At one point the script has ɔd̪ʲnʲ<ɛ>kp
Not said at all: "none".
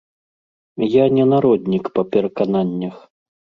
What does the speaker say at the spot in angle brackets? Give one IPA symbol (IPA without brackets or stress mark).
i